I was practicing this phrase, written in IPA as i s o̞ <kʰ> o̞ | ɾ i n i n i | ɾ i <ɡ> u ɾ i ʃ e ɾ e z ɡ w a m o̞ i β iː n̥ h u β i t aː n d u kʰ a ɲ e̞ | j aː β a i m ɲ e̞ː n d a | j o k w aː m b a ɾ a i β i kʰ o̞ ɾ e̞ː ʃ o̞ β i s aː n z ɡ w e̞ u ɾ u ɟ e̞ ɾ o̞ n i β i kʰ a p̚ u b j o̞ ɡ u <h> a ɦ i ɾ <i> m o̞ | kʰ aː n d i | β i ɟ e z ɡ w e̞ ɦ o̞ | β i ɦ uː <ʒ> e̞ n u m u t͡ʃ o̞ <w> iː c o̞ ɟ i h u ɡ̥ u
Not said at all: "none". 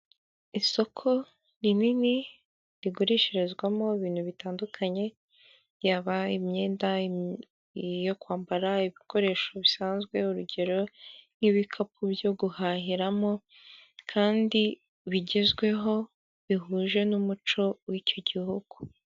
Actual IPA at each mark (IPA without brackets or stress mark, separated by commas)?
kʰ, ɡ, h, a, ʒ, w